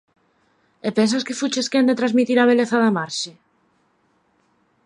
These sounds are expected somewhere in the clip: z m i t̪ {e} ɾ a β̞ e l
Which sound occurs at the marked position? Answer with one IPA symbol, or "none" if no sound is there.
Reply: i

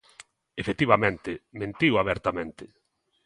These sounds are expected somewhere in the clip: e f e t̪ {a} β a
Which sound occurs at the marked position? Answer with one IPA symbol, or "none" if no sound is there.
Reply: i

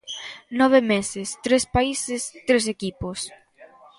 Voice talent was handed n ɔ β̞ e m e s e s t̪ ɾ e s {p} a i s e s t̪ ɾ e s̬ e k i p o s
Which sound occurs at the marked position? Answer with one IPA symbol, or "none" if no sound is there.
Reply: p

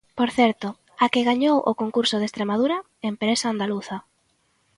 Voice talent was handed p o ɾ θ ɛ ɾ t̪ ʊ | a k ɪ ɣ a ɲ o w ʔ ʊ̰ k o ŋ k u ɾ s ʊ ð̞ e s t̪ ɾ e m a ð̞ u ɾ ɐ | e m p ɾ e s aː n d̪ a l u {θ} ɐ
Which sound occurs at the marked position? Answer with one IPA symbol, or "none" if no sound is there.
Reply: θ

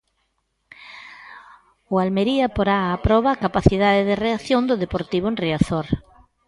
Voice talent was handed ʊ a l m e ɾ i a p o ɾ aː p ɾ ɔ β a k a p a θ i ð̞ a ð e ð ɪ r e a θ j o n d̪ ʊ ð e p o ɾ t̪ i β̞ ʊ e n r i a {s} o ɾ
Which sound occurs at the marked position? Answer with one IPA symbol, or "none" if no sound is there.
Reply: θ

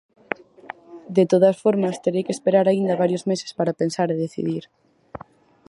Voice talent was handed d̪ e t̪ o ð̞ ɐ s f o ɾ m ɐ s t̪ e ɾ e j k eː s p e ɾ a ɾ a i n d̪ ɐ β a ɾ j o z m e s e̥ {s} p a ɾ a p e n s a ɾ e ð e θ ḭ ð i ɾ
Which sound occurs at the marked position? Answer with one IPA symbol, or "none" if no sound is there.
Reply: s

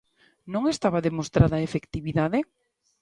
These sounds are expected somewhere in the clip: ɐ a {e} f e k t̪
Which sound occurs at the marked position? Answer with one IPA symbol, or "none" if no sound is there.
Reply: e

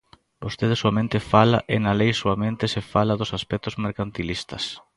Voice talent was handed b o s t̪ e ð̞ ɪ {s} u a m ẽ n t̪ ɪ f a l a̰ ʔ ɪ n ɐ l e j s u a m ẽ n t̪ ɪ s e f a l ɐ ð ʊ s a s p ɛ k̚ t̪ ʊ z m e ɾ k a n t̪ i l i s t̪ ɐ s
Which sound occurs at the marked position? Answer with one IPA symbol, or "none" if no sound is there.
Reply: s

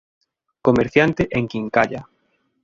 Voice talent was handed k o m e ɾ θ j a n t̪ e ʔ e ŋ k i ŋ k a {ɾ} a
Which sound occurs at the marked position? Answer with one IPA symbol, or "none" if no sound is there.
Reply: ʎ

